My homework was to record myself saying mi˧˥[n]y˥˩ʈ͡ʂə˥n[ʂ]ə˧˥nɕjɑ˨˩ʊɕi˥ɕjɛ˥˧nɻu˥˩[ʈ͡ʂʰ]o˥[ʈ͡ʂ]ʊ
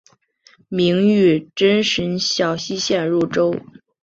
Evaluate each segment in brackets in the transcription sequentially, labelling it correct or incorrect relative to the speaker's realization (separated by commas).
incorrect, correct, incorrect, incorrect